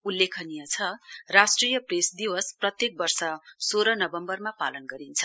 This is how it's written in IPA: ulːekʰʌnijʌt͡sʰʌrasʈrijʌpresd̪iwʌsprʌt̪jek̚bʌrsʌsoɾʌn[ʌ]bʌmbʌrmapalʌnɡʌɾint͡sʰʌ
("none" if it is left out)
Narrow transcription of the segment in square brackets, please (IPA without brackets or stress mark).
ʌ